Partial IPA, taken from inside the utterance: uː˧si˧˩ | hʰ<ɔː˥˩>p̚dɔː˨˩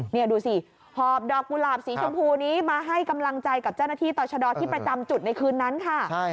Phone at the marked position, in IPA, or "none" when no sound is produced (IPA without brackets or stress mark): ɔː˨˩